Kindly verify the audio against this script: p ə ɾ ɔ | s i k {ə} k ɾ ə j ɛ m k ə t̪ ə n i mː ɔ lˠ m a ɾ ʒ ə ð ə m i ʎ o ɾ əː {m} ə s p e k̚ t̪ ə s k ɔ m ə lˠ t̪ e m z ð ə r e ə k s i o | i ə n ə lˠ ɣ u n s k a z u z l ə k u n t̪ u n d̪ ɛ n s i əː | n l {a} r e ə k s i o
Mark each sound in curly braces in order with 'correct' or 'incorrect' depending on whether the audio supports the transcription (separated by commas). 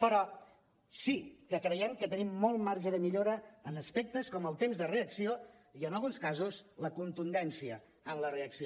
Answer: correct, incorrect, incorrect